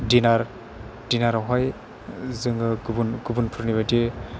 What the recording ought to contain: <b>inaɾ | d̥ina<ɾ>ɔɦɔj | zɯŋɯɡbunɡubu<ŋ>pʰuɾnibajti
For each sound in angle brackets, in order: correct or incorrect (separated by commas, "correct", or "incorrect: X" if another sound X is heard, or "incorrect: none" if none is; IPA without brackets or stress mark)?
incorrect: d, correct, incorrect: n